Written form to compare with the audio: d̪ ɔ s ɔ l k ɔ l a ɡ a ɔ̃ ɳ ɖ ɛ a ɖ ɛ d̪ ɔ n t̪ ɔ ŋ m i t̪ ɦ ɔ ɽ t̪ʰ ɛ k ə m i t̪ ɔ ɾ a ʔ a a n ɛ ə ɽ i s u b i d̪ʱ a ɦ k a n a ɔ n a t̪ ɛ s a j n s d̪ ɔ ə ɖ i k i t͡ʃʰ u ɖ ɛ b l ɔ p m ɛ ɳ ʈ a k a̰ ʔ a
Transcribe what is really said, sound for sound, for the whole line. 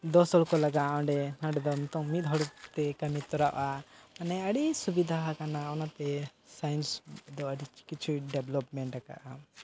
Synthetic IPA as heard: d̪ ɔ s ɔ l k ɔ l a ɡ a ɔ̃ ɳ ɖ ɛ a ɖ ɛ d̪ ɔ m t̪ ɔ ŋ m i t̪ ɦ ɔ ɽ t̪ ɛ k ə m i t̪ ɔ ɾ a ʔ a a n ɛ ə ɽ i s u b i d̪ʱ a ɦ k a n a ɔ n a t̪ ɛ s a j n s d̪ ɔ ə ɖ i k i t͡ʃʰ u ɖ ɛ b l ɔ p m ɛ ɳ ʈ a k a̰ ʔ a